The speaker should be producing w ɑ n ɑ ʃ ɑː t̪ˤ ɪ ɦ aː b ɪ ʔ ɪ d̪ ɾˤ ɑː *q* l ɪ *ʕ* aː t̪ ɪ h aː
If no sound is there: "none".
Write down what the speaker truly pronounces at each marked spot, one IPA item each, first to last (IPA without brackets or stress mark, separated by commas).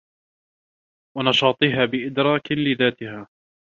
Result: k, ð